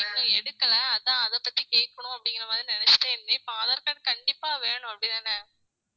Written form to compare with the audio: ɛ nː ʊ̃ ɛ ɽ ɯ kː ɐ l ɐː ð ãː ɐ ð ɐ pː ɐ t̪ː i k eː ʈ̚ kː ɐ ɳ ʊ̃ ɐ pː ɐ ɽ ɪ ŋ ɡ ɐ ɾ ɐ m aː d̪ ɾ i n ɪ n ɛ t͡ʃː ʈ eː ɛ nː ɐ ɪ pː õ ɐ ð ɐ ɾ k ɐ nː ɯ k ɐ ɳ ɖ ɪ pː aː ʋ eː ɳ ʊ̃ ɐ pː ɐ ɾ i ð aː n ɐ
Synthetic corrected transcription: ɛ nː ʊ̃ ɛ ɽ ɯ kː ɐ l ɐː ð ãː ɐ ð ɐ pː ɐ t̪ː i k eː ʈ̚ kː ɐ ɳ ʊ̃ ɐ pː ɐ ɽ ɪ ŋ ɡ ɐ ɾ ɐ m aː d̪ ɾ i n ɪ n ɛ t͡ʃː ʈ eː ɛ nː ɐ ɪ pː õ ɐ ð ɐ ɾ k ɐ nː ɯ k ɐ ɳ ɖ ɪ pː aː ʋ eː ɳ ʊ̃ ɐ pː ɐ ɽ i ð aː n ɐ